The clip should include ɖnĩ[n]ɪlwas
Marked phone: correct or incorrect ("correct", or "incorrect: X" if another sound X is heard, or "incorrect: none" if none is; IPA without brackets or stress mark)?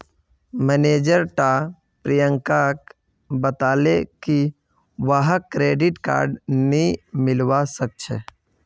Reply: incorrect: m